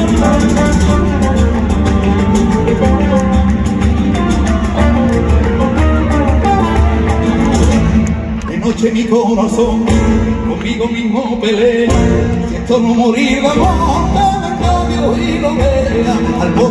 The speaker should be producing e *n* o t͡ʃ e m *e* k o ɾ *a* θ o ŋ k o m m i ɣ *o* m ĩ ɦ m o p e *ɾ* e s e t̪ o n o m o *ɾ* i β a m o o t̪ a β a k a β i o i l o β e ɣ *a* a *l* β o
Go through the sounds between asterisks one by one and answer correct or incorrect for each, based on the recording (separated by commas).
correct, incorrect, correct, correct, incorrect, correct, correct, correct